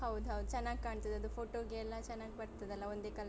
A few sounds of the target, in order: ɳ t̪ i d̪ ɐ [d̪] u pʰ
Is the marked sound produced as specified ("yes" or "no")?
yes